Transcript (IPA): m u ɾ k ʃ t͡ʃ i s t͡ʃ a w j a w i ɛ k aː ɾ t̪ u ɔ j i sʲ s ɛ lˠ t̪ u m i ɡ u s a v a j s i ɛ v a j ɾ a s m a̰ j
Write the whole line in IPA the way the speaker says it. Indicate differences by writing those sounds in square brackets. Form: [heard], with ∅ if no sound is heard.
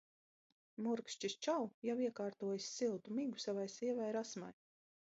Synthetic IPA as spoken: m u ɾ k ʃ t͡ʃ i s t͡ʃ a w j a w i ɛ k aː ɾ t̪ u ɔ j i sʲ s [i] lˠ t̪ u m i ɡ u s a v a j s i ɛ v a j ɾ a s m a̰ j